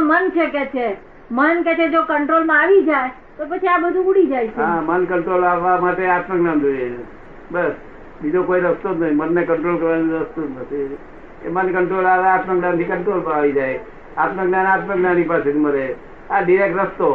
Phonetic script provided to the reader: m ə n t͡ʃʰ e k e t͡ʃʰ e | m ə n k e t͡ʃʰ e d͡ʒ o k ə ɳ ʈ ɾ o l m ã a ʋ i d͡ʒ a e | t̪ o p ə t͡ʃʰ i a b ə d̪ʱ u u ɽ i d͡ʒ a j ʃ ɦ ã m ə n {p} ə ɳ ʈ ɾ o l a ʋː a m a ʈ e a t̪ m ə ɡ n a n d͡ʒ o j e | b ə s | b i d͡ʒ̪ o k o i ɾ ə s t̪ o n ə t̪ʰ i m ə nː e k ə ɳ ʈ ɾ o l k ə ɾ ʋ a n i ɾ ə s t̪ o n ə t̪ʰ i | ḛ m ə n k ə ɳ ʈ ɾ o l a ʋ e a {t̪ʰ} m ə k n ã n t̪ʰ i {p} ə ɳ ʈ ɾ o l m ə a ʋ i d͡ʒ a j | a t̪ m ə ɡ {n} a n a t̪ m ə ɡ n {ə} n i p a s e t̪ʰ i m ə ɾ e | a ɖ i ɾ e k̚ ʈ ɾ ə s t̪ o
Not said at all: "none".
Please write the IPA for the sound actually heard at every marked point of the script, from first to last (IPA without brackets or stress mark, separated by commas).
k, t̪, k, n, a